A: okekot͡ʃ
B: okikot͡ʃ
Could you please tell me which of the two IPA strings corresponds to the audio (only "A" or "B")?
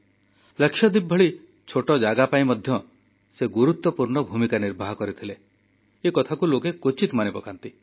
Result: A